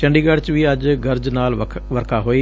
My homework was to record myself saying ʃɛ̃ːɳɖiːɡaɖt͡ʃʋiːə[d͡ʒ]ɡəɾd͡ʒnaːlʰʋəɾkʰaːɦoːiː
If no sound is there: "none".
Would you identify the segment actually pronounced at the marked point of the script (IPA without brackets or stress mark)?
d͡ʒ